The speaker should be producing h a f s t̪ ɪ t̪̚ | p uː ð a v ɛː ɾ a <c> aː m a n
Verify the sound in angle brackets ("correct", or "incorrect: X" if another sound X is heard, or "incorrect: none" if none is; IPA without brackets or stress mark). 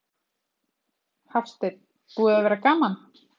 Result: incorrect: k